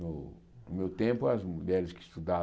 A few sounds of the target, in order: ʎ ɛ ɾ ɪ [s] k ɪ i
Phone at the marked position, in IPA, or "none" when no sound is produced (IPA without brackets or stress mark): s